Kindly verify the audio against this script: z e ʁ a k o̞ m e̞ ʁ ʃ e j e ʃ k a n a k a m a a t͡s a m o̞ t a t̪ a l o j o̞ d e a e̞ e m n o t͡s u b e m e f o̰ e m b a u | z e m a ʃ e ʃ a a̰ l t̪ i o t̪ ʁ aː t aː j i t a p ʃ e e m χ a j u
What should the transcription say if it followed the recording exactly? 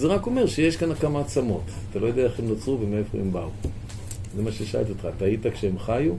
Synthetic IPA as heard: z e ʁ a k o̞ m e̞ ʁ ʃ e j e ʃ k a n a k a m a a t͡s a m o̞ t a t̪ a l o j o̞ d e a e̞ e m n o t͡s u v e m e f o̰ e m b a u | z e m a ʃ e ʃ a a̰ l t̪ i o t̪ χ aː t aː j i t a k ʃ e e m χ a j u